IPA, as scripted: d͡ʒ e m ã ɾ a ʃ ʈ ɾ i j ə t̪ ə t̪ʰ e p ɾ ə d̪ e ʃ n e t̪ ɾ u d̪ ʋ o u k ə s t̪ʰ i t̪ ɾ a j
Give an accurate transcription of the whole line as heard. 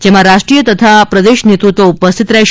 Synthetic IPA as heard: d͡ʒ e m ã ɾ a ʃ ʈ ɾ i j ə t̪ ə t̪ʰ a p ɾ ə d̪ e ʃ n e t̪ ɾ u t̪ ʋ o u p ə s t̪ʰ i t̪ ɾ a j